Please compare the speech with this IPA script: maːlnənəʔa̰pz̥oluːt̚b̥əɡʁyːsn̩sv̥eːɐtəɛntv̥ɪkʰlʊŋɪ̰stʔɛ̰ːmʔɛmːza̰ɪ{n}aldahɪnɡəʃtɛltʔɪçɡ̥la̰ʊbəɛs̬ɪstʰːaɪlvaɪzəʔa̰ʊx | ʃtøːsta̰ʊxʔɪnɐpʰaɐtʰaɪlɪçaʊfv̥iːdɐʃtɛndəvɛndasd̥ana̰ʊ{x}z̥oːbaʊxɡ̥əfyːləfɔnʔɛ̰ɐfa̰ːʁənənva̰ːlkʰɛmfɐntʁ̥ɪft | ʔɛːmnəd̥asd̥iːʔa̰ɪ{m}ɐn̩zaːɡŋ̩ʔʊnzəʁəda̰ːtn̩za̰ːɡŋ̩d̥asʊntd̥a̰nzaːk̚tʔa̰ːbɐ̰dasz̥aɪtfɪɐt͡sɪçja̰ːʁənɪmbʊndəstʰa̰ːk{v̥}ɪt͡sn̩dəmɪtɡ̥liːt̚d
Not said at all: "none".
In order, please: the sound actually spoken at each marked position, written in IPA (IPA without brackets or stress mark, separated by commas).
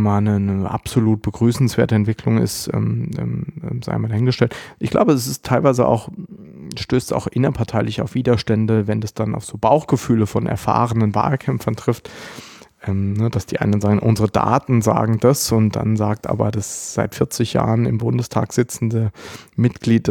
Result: m, f, n, z̥